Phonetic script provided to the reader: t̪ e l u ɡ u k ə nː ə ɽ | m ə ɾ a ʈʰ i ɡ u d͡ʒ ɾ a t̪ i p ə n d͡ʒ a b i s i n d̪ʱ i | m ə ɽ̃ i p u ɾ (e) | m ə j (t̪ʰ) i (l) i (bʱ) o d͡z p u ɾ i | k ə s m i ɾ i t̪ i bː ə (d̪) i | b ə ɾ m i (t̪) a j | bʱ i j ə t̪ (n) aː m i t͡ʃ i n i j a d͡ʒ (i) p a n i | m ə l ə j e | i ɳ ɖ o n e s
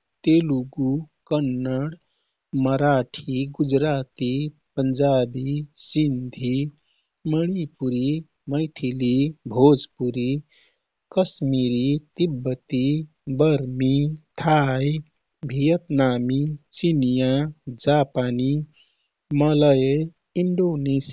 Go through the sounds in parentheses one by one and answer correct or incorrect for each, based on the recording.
incorrect, correct, correct, correct, incorrect, incorrect, correct, incorrect

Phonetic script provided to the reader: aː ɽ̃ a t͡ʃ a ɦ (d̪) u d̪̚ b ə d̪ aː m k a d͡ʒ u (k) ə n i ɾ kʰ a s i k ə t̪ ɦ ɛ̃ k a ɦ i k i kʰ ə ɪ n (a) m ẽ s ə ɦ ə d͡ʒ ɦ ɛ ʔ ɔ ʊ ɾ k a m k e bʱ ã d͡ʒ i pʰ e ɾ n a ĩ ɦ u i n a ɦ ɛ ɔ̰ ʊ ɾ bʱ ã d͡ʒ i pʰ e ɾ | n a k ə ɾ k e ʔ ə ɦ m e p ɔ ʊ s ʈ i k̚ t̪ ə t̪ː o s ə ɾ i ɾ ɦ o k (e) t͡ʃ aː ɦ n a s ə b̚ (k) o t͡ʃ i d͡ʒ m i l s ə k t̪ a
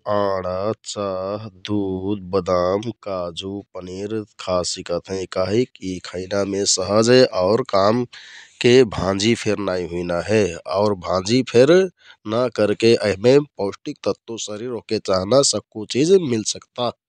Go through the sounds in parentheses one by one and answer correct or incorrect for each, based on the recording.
correct, incorrect, correct, correct, correct

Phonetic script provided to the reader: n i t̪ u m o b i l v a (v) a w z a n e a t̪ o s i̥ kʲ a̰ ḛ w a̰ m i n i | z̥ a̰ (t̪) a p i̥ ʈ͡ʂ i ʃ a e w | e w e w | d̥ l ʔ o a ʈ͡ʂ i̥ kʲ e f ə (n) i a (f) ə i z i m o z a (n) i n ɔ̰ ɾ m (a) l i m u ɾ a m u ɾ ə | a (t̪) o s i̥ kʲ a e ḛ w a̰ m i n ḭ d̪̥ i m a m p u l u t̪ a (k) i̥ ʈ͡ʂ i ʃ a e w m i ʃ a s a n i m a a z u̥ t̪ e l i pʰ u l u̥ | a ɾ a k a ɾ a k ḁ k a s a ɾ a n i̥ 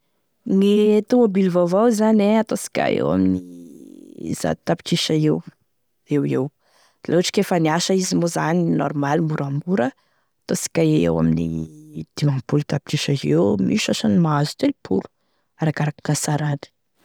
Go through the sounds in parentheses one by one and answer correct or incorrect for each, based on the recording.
correct, correct, correct, incorrect, correct, correct, correct, incorrect

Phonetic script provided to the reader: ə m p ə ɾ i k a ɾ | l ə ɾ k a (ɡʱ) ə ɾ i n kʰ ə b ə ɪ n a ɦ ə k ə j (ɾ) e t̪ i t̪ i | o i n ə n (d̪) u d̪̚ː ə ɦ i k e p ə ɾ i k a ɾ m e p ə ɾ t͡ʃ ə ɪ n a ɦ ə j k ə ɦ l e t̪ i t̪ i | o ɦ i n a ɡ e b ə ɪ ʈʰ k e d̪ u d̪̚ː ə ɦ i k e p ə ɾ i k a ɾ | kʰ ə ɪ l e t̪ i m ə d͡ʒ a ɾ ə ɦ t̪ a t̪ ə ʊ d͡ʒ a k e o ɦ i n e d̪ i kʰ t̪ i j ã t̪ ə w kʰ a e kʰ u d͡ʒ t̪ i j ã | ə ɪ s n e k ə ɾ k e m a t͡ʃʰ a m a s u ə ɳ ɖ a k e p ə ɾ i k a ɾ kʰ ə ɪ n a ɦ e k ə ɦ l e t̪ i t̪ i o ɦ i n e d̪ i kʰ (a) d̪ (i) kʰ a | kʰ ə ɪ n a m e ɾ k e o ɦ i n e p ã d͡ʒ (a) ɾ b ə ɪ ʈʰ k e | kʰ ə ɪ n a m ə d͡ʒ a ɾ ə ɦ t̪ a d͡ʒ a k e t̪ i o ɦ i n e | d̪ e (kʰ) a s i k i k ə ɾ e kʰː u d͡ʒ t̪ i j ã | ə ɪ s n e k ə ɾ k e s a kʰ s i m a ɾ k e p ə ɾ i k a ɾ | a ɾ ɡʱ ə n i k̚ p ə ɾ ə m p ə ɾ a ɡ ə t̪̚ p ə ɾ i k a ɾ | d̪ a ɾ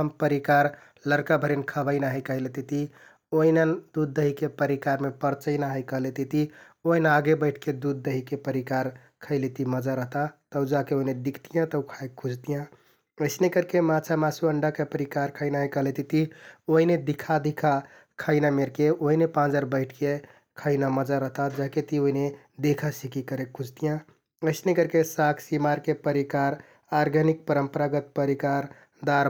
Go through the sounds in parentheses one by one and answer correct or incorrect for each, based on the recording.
incorrect, incorrect, correct, correct, correct, incorrect, correct

